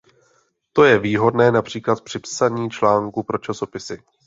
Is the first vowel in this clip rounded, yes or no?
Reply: yes